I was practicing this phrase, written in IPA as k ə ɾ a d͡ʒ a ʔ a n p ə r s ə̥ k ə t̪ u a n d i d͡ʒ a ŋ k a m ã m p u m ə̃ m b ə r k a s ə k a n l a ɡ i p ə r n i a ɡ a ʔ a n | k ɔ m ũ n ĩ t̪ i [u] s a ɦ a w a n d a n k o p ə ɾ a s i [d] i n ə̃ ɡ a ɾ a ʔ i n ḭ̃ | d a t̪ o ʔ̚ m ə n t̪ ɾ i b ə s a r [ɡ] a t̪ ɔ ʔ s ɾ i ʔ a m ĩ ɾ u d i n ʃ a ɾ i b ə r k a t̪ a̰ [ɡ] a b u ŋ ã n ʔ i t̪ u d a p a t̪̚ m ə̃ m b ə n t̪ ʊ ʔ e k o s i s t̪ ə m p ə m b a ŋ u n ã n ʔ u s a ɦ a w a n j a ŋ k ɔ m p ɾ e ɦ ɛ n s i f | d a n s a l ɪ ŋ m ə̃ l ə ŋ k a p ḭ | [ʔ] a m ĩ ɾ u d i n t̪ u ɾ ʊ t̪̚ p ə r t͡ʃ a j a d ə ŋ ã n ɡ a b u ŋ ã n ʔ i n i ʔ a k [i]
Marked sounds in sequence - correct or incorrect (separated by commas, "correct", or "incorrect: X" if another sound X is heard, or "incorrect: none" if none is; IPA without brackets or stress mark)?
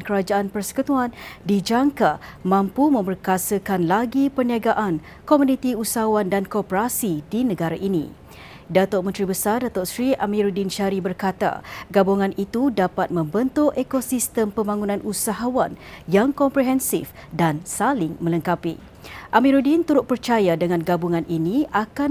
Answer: correct, correct, incorrect: d, correct, correct, incorrect: a